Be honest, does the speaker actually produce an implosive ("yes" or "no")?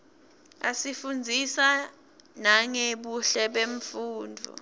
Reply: yes